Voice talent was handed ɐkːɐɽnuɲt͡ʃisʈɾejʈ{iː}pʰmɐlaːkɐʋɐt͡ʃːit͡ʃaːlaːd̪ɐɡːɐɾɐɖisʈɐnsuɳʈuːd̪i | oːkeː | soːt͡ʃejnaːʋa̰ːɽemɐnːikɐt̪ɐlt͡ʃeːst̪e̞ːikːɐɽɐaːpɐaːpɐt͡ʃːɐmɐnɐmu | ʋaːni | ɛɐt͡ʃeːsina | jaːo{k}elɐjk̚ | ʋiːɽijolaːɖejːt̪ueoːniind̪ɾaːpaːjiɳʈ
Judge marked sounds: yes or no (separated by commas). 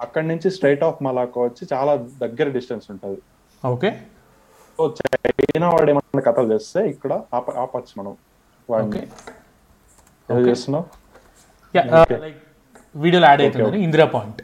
no, yes